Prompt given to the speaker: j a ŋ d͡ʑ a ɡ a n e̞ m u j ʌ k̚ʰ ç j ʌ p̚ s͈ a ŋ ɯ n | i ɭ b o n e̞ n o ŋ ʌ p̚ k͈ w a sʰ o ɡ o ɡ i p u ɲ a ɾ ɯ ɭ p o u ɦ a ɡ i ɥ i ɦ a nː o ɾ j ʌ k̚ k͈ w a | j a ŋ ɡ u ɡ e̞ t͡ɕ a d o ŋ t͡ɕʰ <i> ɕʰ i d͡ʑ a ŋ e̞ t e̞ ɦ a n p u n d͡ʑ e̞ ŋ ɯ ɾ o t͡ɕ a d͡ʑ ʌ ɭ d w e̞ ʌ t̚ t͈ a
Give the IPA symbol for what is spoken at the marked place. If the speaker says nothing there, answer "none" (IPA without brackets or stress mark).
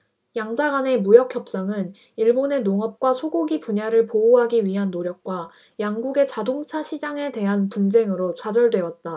a